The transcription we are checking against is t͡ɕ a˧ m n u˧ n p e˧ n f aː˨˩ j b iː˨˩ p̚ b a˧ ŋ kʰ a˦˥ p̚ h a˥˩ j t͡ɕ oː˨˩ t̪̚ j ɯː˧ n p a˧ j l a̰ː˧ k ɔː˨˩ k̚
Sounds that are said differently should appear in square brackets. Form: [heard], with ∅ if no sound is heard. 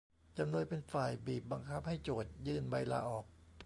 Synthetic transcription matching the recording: t͡ɕ a˧ m n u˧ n p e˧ n f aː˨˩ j b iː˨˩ p̚ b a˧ ŋ kʰ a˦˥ p̚ h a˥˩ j t͡ɕ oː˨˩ t̪̚ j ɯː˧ n [b] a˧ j l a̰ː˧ [ʔ] ɔː˨˩ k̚

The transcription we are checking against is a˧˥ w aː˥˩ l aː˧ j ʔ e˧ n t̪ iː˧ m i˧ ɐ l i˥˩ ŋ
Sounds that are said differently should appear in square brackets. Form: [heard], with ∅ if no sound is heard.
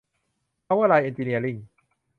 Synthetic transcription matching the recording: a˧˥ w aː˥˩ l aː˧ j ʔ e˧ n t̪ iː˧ [n] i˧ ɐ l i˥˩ ŋ

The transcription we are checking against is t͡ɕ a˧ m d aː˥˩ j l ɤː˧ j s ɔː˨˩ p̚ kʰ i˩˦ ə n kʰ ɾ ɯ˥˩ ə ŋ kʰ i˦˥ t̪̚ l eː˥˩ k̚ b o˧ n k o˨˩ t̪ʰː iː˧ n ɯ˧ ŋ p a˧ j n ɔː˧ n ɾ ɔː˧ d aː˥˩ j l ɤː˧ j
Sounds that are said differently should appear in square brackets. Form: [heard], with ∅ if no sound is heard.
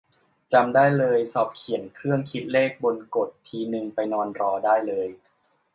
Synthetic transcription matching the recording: t͡ɕ a˧ m d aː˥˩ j l ɤː˧ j s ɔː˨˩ p̚ kʰ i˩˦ ə n kʰ ɾ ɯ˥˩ ə ŋ kʰ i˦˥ t̪̚ l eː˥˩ k̚ b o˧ n k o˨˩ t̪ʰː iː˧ n ɯ˧ ŋ p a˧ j n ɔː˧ n ɾ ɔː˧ d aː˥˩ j l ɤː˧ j

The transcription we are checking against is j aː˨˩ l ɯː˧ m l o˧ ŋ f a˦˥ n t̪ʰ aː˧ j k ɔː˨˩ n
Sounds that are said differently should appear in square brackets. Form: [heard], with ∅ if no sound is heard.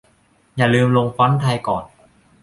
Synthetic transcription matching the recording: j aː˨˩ l ɯː˧ m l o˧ ŋ f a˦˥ n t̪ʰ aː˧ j k ɔː˨˩ n

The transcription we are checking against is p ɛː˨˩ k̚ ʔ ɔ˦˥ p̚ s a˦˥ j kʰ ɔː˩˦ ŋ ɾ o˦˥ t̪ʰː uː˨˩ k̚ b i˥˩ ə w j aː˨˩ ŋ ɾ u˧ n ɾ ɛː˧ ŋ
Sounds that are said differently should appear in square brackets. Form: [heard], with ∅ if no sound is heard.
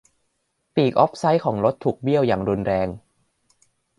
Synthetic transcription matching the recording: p [iː˨˩] k̚ ʔ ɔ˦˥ p̚ s a˦˥ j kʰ ɔː˩˦ ŋ ɾ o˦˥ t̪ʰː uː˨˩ k̚ b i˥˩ ə w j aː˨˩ ŋ ɾ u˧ n ɾ ɛː˧ ŋ

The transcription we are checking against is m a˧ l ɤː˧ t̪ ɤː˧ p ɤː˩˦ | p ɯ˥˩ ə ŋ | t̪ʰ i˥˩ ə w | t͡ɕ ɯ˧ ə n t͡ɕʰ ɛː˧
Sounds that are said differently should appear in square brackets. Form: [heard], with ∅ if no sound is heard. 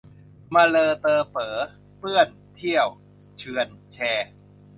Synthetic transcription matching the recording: m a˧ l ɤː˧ t̪ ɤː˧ p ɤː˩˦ | p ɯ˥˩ ə [n] | t̪ʰ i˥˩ ə w | [t͡ɕʰ] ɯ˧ ə n t͡ɕʰ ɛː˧

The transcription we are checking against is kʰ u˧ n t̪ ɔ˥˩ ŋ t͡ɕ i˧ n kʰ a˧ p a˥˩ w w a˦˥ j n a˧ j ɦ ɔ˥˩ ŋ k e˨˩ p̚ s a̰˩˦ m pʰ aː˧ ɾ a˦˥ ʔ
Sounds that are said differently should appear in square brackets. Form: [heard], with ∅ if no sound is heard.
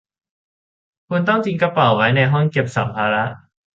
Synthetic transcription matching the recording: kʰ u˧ n t̪ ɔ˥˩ ŋ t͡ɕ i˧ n [k] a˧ p [a˨˩] w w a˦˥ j n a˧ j ɦ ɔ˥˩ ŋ k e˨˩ p̚ s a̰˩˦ m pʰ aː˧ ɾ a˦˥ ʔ

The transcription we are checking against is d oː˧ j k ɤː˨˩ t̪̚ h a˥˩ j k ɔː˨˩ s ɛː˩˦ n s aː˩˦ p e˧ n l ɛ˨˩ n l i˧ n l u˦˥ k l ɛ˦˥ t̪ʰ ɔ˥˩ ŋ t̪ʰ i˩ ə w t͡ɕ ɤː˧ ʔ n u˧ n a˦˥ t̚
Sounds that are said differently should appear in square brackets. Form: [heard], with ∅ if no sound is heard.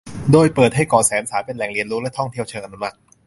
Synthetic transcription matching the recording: d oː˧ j [p] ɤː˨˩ t̪̚ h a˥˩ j k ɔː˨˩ s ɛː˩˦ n s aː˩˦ p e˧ n l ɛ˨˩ [ŋ] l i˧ n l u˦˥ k l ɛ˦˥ t̪ʰ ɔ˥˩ ŋ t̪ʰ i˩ ə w [t͡ɕʰ] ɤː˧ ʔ n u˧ [m] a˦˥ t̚

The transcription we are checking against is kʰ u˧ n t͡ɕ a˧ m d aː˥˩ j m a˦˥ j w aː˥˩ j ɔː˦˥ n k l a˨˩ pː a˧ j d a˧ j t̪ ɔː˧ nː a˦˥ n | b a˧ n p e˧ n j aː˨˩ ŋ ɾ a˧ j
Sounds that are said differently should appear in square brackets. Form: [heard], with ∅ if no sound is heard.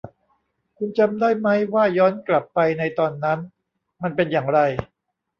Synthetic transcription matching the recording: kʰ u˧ n t͡ɕ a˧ m d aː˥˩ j m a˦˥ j w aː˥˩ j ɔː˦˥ n k l a˨˩ pː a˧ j [n] a˧ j t̪ ɔː˧ nː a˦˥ n | [m] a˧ n p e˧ n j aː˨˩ ŋ ɾ a˧ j

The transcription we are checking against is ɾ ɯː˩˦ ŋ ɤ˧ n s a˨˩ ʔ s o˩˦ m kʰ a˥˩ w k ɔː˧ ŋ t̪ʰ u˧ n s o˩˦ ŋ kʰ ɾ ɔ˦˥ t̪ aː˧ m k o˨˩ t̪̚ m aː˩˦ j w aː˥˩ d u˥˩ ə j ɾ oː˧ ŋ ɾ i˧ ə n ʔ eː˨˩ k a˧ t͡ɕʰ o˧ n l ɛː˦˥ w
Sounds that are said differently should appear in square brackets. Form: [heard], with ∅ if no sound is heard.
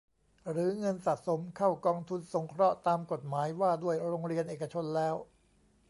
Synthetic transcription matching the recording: ɾ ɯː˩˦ ŋ ɤ˧ n s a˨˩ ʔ s o˩˦ m kʰ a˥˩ w k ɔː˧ ŋ t̪ʰ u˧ n s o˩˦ ŋ kʰ ɾ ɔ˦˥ t̪ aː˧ m k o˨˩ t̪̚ m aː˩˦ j w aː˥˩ d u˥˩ ə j ɾ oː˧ ŋ ɾ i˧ ə n ʔ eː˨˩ k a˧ t͡ɕʰ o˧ n l ɛː˦˥ w

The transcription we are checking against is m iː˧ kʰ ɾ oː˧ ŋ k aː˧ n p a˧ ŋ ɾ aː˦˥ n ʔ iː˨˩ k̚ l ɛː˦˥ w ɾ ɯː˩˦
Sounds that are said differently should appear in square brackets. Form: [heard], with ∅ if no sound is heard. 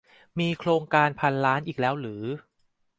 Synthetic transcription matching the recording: m iː˧ kʰ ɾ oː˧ ŋ k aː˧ n [pʰ] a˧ [n] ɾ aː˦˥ n ʔ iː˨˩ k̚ l ɛː˦˥ w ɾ ɯː˩˦

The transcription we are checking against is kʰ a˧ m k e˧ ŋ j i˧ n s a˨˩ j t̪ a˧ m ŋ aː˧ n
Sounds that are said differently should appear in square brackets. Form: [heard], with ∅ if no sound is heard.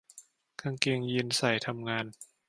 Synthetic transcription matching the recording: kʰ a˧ [ŋ] k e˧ ŋ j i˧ n s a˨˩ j [t̪ʰ] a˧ m ŋ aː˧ n

